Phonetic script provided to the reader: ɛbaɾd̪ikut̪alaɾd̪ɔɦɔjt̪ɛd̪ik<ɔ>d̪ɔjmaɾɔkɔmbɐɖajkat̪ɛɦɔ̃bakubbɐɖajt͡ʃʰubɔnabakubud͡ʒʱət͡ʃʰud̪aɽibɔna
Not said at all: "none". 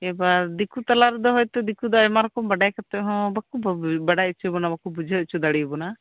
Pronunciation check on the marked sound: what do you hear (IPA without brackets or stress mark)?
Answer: u